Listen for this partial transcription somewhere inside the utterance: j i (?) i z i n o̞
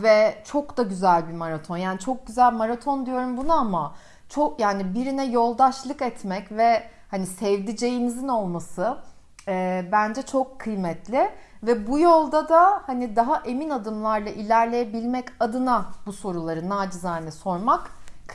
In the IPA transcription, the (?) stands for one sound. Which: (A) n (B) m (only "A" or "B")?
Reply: B